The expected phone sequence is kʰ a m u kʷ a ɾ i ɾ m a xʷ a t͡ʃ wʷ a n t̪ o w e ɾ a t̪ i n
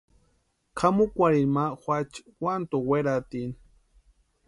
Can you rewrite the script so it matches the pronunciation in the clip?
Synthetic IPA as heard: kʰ a m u kʷ a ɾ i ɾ m a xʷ a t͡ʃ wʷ a n t̪ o w e ɾ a t̪ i n